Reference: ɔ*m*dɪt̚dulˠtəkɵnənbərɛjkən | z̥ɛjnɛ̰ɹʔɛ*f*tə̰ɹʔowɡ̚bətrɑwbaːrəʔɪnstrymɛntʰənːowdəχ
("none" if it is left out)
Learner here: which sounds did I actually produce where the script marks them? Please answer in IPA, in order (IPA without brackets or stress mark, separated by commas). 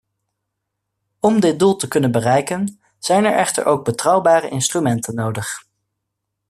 m, χ